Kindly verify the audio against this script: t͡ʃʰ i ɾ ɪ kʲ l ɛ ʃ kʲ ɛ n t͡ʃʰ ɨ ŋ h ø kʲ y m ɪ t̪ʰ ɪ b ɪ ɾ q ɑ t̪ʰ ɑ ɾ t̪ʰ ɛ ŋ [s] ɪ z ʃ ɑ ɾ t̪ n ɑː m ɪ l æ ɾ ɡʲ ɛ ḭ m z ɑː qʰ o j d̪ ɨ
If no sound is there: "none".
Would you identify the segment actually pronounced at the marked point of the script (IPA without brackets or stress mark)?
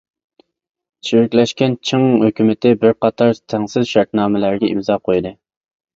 s